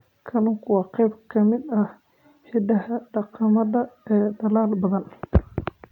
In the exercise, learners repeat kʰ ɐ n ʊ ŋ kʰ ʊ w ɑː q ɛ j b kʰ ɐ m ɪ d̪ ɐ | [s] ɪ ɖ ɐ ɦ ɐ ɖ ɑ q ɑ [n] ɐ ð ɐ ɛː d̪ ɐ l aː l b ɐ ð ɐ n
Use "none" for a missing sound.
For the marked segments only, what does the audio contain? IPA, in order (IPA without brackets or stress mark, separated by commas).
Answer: ħ, m